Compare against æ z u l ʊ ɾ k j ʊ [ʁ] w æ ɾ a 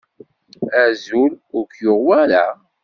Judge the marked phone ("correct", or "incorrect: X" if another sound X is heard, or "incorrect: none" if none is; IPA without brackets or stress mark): correct